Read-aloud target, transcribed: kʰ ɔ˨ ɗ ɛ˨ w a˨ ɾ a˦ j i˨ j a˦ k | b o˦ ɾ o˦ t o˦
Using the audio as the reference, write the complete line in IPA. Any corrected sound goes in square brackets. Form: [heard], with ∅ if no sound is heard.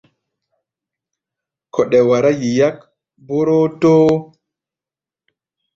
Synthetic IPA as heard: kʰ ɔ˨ ɗ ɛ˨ w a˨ ɾ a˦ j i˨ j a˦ k | b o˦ ɾ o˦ t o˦